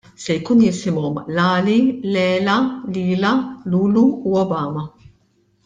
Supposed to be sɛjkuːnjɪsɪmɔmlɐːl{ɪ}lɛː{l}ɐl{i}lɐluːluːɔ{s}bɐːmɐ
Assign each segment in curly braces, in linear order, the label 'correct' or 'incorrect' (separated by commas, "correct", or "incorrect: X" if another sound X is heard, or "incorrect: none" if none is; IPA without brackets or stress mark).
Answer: incorrect: i, correct, incorrect: iː, incorrect: none